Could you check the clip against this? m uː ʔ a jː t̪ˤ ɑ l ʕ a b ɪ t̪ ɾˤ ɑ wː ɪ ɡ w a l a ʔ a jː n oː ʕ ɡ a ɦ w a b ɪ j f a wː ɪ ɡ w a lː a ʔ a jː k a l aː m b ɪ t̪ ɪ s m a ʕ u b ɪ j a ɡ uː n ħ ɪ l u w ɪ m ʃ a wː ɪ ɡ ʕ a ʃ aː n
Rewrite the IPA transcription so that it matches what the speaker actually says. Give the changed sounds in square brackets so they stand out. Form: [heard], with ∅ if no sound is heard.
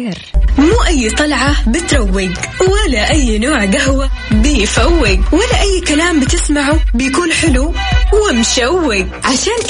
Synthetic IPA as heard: m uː ʔ a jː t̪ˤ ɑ l ʕ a b ɪ t̪ ɾˤ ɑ wː ɪ ɡ w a l a ʔ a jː n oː ʕ ɡ a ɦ w a b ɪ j f a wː ɪ ɡ w a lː a ʔ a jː k a l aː m b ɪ t̪ ɪ s m a ʕ u b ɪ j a [k] uː n ħ ɪ l u w ɪ m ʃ a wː ɪ ɡ ʕ a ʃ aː n